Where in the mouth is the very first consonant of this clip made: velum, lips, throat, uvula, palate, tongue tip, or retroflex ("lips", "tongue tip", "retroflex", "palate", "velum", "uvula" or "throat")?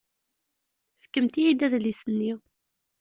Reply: lips